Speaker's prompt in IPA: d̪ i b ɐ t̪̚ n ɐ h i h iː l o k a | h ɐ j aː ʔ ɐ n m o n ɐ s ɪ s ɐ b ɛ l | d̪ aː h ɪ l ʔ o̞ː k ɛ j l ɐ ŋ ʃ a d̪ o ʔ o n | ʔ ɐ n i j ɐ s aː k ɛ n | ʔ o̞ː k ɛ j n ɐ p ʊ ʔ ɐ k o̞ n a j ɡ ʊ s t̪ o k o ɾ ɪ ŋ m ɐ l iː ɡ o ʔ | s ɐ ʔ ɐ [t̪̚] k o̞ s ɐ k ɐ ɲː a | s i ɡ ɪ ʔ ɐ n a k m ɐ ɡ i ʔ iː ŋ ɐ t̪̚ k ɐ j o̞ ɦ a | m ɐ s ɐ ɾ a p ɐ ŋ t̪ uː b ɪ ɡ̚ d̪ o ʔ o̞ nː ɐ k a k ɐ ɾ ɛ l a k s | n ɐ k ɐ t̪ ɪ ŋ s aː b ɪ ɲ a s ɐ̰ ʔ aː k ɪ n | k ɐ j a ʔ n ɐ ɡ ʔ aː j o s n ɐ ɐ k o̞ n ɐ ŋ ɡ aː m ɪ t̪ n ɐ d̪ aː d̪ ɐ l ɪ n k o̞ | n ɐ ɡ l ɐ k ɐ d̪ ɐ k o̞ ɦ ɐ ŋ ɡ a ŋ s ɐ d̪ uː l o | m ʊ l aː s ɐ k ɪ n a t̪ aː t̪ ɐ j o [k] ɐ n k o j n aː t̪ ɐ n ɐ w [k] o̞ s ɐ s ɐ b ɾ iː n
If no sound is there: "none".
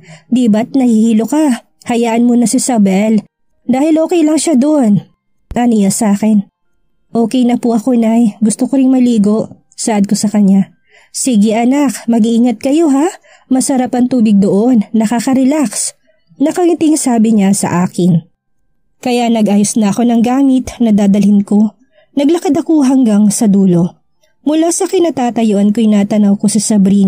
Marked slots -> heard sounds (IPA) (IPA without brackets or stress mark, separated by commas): d̪̚, ʔ, k